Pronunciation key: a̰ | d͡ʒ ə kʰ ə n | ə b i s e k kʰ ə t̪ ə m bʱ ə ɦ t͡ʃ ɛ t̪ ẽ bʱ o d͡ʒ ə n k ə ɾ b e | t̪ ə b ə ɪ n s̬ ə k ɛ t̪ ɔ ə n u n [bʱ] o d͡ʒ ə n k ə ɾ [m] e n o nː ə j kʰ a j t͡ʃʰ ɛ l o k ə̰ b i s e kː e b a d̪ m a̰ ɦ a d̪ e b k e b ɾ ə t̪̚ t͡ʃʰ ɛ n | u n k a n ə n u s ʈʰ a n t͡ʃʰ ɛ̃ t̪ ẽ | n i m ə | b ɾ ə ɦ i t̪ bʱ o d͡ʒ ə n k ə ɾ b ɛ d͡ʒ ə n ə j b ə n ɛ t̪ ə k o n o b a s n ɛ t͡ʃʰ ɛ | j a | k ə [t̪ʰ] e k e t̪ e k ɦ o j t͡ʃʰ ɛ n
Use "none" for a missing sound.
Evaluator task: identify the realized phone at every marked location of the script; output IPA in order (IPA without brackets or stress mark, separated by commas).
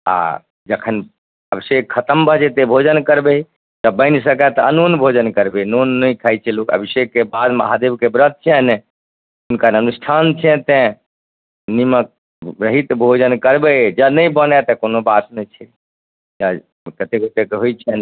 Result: bʱ, b, t̪